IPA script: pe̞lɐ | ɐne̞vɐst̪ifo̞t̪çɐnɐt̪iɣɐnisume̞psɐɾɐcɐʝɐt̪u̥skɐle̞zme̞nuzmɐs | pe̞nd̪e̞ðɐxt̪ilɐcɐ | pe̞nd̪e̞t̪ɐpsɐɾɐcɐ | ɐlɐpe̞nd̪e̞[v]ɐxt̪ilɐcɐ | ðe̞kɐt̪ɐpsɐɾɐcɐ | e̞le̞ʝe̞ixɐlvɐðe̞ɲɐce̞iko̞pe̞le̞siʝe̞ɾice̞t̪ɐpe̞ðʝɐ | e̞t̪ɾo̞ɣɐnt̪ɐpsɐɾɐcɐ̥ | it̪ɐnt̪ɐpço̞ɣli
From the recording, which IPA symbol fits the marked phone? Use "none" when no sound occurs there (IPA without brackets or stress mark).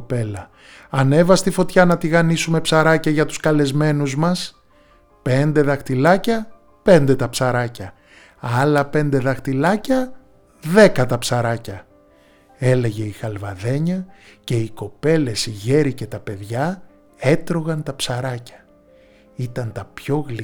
ð